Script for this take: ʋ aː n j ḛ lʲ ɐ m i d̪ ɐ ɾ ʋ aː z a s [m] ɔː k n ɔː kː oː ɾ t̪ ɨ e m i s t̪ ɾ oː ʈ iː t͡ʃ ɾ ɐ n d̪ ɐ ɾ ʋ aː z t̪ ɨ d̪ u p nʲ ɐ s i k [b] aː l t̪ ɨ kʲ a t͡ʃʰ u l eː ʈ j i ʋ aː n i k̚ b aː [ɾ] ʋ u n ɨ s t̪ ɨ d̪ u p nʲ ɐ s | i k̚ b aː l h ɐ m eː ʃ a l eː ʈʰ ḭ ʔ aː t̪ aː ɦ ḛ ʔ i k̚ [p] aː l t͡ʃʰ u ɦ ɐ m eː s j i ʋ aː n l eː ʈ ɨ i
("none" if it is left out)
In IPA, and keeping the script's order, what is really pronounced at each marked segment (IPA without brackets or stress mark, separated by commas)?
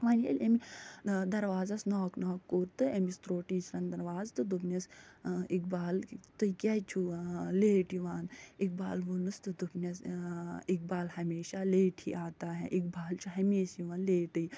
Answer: n, b, l, b